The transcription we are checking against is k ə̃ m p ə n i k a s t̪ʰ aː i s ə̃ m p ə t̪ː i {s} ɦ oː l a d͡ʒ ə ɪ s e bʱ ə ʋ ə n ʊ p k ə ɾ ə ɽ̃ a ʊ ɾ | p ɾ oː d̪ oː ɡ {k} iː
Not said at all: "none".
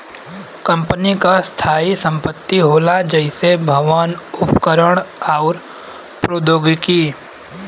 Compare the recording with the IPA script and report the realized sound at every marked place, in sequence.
none, k

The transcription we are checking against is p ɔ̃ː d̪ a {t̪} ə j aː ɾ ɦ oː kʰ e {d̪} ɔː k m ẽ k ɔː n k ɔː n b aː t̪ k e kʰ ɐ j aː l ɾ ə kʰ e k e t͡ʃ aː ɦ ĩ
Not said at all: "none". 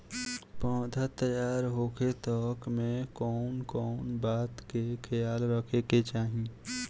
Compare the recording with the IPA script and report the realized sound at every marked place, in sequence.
t̪, t̪

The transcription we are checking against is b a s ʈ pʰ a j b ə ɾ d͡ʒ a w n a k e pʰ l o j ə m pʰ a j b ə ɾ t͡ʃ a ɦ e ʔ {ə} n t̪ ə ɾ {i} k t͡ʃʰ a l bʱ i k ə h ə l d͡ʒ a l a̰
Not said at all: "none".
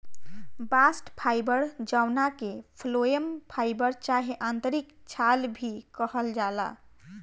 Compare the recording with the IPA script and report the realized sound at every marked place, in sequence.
a, i

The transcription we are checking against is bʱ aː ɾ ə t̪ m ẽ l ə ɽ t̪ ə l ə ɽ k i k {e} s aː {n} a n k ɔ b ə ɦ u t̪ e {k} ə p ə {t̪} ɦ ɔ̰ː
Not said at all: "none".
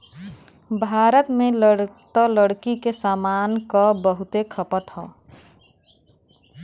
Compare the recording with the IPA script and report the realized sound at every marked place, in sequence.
e, m, kʰ, t̪

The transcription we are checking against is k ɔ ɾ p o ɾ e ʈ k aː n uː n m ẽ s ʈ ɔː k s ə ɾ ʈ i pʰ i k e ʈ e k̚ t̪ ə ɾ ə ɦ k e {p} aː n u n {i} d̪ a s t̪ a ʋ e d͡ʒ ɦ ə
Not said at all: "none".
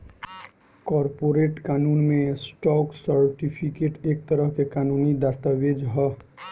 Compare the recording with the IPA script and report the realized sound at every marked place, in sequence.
k, i

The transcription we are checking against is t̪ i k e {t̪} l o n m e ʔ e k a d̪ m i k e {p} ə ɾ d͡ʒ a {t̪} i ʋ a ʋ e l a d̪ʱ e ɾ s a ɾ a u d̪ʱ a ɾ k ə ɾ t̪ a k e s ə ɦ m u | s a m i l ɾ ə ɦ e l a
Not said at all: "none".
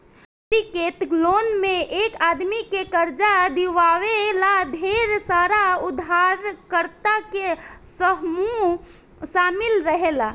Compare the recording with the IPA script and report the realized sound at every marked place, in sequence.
t̪, k, d̪

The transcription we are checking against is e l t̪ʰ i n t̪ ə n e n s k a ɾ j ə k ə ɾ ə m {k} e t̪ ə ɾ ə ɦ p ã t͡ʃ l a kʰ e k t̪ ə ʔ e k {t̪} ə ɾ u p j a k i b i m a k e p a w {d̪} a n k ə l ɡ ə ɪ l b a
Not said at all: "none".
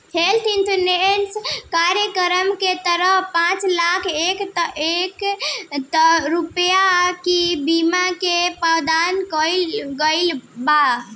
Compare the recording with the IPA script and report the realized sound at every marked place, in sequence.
k, t̪, d̪

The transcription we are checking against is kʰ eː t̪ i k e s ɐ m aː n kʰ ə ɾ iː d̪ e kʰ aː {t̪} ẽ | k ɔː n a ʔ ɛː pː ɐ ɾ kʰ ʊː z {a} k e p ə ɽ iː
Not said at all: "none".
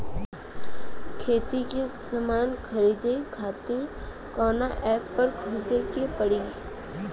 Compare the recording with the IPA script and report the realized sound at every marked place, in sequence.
t̪, e

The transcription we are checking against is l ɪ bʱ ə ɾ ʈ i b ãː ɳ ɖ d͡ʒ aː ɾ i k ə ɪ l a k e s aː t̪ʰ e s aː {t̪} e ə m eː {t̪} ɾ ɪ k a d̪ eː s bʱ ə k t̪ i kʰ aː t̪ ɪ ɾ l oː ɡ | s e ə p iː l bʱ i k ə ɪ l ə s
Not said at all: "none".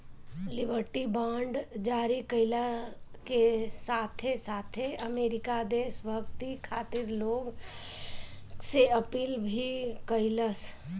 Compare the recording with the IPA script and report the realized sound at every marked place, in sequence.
t̪ʰ, none

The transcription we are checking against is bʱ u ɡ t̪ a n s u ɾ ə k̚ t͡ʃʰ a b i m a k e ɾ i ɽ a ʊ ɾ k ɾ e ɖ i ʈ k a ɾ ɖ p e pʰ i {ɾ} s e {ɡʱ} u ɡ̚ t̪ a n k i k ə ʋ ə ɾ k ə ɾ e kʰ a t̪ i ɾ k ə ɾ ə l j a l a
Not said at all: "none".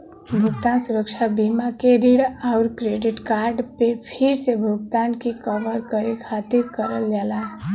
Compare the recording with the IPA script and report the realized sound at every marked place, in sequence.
ɾ, bʱ

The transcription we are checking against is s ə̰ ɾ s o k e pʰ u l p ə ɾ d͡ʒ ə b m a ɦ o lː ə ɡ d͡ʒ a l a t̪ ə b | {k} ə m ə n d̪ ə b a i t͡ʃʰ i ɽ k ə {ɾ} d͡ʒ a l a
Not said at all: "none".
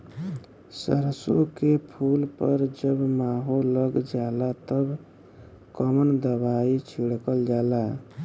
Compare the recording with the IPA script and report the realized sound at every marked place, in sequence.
k, l

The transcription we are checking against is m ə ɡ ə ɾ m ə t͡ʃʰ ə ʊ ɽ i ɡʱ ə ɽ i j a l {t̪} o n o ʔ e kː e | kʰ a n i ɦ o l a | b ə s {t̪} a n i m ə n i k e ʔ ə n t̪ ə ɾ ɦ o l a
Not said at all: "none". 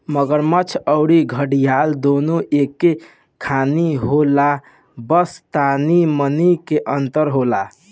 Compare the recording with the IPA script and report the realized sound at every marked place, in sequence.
d̪, t̪

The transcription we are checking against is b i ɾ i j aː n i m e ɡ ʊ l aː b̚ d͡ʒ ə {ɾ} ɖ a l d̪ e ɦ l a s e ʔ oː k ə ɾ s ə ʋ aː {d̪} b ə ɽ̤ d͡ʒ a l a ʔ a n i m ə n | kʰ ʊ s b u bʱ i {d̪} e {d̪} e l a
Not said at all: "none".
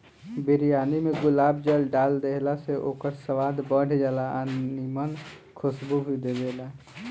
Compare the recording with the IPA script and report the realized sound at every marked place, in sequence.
l, d̪, d̪, d̪

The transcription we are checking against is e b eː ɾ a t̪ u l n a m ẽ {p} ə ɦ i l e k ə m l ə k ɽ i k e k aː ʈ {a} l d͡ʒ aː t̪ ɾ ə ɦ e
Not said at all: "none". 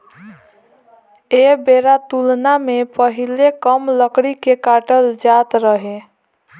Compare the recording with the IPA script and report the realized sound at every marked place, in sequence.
p, ə

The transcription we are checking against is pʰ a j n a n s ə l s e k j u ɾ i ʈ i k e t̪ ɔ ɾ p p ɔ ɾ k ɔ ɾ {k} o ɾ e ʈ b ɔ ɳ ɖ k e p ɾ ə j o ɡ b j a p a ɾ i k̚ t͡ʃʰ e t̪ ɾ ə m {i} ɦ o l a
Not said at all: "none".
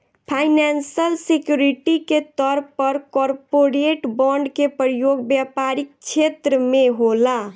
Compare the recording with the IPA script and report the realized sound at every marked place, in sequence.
p, e

